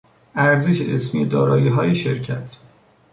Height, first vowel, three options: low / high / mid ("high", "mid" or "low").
low